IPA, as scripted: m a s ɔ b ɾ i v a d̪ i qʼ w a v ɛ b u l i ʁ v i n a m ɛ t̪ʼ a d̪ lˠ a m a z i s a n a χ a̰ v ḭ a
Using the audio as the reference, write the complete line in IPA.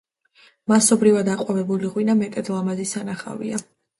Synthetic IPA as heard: m a s ɔ b ɾ i v a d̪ a qʼ w a v ɛ b u l i ʁ w i n a m ɛ t̪ʼ ɛ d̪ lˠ a m a z i s a n a χ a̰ v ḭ a